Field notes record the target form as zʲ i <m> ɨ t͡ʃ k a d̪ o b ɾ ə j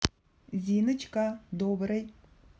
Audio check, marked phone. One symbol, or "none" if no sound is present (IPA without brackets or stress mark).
n